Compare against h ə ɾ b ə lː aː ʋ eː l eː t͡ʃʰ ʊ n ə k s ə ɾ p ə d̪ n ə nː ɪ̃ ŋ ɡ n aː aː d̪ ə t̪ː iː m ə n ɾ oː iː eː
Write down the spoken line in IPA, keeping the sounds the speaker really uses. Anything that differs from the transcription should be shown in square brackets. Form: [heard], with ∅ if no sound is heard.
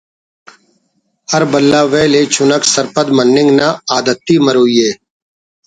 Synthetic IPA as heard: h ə ɾ b ə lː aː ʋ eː l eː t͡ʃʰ ʊ n ə k s ə ɾ p ə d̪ [m] ə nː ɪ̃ ŋ ɡ n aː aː d̪ ə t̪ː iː m ə [∅] ɾ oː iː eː